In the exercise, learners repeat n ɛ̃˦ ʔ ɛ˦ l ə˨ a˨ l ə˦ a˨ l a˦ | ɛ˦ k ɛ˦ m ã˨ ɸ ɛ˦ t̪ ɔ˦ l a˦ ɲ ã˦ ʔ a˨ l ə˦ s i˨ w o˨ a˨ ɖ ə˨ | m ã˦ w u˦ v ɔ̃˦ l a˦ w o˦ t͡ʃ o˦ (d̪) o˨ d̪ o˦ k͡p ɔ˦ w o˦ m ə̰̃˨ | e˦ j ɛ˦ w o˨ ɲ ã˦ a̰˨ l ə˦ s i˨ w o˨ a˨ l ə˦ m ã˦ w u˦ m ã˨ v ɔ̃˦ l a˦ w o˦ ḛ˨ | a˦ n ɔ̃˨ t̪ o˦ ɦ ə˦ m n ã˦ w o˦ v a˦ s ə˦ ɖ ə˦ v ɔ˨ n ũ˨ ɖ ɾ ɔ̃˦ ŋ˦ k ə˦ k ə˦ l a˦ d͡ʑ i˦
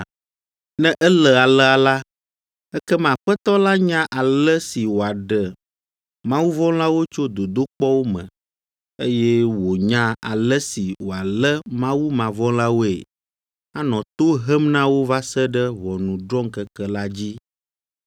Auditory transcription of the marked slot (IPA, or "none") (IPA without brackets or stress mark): d̪